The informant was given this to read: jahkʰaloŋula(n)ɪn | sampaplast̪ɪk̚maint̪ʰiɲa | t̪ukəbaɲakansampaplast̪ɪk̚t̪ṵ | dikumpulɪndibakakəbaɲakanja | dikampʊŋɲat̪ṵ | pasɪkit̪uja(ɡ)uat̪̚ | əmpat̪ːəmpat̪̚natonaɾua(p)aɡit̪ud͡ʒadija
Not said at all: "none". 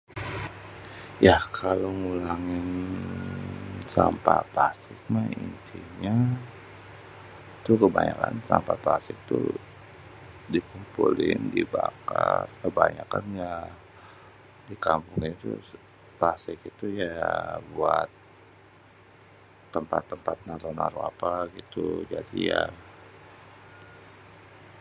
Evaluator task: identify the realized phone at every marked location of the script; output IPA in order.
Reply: ŋ, b, p

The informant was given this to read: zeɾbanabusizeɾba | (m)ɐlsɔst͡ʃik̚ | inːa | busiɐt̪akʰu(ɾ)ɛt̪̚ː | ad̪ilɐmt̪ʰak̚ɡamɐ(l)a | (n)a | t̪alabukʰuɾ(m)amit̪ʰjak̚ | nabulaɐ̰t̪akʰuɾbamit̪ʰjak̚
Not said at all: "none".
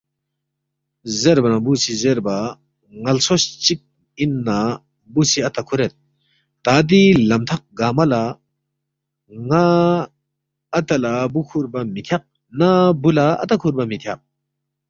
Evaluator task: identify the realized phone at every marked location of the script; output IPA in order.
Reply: ŋ, ɾ, l, ŋ, b

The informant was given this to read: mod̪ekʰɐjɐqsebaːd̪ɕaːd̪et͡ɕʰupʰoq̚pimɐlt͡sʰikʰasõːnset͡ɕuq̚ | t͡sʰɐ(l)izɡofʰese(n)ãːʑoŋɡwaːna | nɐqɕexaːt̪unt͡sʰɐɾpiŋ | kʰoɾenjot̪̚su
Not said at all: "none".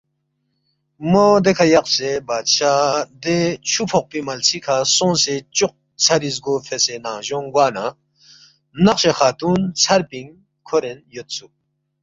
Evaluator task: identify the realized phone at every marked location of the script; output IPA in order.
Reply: ɾ, n

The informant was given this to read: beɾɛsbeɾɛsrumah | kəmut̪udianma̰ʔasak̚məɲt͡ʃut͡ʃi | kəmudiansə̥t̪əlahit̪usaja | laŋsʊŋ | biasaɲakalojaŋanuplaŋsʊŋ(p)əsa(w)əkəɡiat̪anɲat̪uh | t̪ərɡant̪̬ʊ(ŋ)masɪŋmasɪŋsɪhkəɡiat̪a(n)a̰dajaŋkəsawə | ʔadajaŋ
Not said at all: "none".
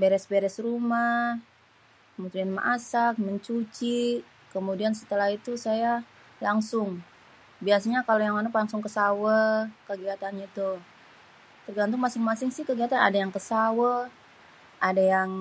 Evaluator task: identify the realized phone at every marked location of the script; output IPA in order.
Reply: k, w, ŋ, n

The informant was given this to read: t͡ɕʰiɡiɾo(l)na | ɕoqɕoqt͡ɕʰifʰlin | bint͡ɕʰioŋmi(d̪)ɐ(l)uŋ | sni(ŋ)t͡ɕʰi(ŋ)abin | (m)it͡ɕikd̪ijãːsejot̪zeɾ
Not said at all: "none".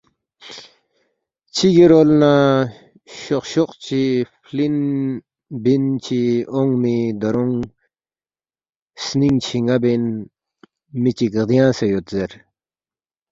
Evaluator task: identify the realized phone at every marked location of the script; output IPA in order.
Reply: l, d̪, ɾ, ŋ, ŋ, m

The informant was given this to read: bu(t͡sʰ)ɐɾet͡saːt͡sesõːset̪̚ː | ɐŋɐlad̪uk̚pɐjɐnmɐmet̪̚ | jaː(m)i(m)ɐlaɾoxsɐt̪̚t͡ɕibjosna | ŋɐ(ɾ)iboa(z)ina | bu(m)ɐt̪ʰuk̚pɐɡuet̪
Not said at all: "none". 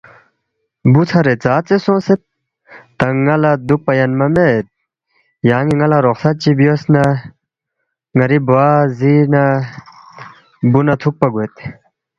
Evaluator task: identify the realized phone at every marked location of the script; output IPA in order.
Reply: t͡sʰ, ŋ, ŋ, ɾ, z, n

